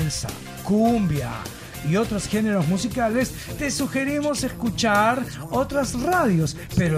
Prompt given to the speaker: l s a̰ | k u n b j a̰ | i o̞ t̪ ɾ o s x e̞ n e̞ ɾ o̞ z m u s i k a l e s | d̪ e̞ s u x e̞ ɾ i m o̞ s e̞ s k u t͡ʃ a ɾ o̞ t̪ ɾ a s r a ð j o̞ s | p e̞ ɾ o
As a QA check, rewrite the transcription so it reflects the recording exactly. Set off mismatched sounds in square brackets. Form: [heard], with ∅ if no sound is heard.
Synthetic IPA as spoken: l s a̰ | k u [m] b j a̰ | i o̞ t̪ ɾ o s x e̞ n e̞ ɾ o̞ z m u s i k a l e s | [t̪] e̞ s u x e̞ ɾ i m o̞ s e̞ s k u t͡ʃ a ɾ o̞ t̪ ɾ a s r a ð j o̞ s | p e̞ ɾ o